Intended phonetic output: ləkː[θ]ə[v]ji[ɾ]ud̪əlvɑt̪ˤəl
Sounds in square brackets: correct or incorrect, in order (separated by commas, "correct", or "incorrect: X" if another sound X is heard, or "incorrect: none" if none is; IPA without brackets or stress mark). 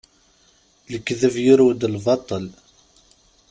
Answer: incorrect: ð, correct, correct